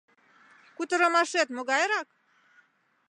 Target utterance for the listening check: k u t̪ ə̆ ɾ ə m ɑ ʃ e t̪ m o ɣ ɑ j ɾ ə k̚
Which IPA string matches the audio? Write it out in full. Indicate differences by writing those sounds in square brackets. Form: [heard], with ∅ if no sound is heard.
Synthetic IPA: k u t̪ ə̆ ɾ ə m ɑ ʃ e t̪ m o ɣ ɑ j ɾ [ɑ] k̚